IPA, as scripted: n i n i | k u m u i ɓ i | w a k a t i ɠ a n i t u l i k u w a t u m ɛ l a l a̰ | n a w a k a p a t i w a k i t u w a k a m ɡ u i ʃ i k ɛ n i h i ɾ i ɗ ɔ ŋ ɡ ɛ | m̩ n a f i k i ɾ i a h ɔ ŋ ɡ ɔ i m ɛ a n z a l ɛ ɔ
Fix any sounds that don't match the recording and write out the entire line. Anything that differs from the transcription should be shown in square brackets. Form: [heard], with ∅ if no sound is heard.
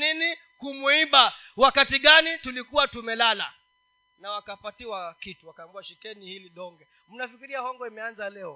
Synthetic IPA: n i n i | k u m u i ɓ [a] | w a k a t i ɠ a n i t u l i k u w a t u m ɛ l a l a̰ | n a w a k a p a t i w a k i t u w a k a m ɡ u [a] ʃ i k ɛ n i h i [l] i ɗ ɔ ŋ ɡ ɛ | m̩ n a f i k i ɾ i a h ɔ ŋ ɡ ɔ i m ɛ a n z a l ɛ ɔ